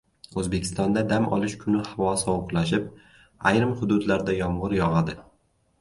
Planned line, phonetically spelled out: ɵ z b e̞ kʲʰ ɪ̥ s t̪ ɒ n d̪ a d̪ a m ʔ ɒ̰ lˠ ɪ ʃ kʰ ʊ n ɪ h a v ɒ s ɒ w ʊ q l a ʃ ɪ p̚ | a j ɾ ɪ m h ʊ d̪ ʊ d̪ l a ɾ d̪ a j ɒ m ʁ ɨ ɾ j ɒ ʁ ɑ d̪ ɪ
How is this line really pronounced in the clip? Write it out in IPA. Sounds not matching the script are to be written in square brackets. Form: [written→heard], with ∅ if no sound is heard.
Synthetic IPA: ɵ z b e̞ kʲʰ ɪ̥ s t̪ ɒ n d̪ a d̪ a m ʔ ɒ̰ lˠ ɪ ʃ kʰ ʊ n ɪ h a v ɒ s ɒ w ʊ q l a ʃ ɪ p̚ | a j ɾ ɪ m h ʊ d̪ ʊ d̪ l a ɾ d̪ a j ɒ m ʁ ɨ ɾ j ɒ ʁ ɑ d̪ ɪ